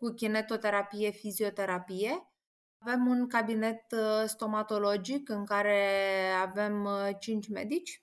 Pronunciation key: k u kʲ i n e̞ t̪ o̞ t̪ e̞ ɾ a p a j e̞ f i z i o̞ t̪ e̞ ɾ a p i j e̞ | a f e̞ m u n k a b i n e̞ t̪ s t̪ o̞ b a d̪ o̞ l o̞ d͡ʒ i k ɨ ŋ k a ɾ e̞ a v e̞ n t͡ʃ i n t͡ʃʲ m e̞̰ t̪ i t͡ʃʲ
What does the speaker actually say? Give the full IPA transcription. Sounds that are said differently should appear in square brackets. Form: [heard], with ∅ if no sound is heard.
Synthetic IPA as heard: k u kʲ i n e̞ t̪ o̞ t̪ e̞ ɾ a p [i] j e̞ f i z i o̞ t̪ e̞ ɾ a p i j e̞ | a [v] e̞ m u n k a b i n e̞ t̪ s t̪ o̞ [m] a [t̪] o̞ l o̞ d͡ʒ i k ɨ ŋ k a ɾ e̞ a v e̞ [m] t͡ʃ i n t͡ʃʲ m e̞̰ [d̪] i t͡ʃʲ